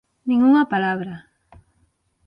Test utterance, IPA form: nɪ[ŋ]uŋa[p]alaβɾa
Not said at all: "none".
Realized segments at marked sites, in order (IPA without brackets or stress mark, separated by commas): ŋ, p